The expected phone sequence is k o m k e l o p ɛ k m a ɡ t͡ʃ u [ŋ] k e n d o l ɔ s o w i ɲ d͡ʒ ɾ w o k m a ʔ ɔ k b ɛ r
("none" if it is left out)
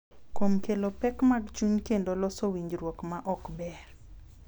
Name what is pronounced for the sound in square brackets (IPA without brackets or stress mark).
ɲ